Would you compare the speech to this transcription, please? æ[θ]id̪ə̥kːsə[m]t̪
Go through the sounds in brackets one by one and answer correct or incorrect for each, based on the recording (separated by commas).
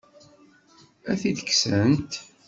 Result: correct, incorrect